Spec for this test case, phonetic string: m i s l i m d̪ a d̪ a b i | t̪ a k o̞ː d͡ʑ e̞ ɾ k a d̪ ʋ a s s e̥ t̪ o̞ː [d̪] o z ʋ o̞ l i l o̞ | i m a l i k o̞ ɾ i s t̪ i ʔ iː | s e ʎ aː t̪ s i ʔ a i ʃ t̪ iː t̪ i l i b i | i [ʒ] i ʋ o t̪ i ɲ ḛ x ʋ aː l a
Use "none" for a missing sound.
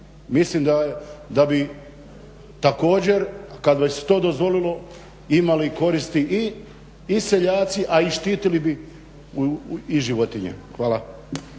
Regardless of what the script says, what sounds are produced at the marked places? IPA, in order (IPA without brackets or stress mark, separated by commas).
d̪, ʒ